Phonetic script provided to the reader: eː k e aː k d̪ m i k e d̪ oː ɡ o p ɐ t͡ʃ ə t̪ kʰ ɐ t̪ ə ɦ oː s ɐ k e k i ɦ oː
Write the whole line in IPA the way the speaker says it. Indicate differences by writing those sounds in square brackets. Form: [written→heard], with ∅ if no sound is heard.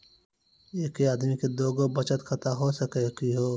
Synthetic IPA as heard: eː k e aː [k→∅] d̪ m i k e d̪ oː ɡ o [p→b] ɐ t͡ʃ ə t̪ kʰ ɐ t̪ [ə→a] ɦ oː s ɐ k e k i ɦ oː